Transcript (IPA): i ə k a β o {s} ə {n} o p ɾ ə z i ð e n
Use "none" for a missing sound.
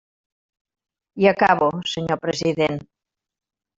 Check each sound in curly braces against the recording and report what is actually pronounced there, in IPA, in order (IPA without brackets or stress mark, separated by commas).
s, ɲ